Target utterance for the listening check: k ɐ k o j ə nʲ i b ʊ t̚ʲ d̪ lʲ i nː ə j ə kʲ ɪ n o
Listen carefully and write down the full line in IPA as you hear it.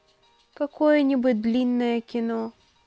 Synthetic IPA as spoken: k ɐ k o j ə nʲ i b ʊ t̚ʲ d̪ lʲ i nː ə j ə kʲ ɪ n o